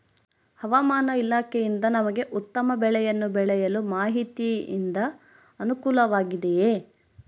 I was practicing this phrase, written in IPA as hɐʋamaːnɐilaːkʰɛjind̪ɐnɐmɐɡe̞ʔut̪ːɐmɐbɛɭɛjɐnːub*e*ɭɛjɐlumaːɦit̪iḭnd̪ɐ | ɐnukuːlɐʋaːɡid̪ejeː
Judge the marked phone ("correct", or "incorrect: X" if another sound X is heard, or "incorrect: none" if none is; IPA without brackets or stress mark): incorrect: ɛ